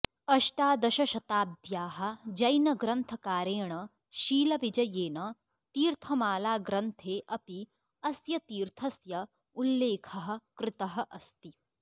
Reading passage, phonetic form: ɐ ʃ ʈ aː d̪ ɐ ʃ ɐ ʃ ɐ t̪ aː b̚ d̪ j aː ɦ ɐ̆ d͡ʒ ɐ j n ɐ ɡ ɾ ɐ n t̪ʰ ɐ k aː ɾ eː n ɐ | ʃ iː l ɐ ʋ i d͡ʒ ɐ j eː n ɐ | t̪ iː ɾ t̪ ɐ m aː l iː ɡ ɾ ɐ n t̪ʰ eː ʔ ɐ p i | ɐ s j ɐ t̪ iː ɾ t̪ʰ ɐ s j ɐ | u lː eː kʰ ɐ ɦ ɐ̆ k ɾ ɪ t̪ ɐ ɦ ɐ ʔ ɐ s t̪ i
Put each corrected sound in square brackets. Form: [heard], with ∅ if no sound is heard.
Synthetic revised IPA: ɐ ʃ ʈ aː d̪ ɐ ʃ ɐ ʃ ɐ t̪ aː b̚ d̪ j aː ɦ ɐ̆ d͡ʒ ɐ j n ɐ ɡ ɾ ɐ n t̪ʰ ɐ k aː ɾ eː [ɳ] ɐ | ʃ iː l ɐ ʋ i d͡ʒ ɐ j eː n ɐ | t̪ iː ɾ [t̪ʰ] ɐ m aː l [aː] ɡ ɾ ɐ n t̪ʰ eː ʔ ɐ p i | ɐ s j ɐ t̪ iː ɾ t̪ʰ ɐ s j ɐ | u lː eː kʰ ɐ ɦ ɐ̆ k ɾ ɪ t̪ ɐ ɦ ɐ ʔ ɐ s t̪ i